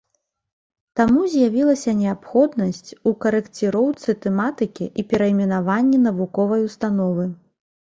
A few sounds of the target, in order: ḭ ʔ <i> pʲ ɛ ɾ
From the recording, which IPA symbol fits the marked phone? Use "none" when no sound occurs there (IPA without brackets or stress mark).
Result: i